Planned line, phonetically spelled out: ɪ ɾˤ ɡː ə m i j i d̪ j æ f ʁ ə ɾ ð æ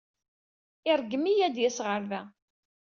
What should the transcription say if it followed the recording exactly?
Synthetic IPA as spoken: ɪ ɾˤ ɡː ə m i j æ d̪ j æ s ʁ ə ɾ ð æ